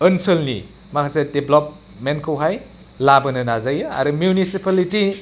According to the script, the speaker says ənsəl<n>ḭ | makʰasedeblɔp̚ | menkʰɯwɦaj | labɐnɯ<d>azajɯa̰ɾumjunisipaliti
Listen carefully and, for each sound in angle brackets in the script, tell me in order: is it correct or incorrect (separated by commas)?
correct, incorrect